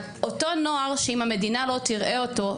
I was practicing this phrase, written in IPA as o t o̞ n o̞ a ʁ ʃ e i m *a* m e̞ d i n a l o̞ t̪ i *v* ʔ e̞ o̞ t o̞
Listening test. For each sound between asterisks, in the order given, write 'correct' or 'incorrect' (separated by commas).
correct, incorrect